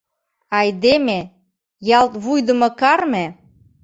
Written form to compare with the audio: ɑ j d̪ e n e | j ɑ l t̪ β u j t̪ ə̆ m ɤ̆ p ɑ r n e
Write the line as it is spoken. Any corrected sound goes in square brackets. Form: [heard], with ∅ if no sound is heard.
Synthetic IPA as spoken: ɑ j d̪ e [m] e | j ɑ l t̪ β u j [d̪] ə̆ m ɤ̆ [k] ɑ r [m] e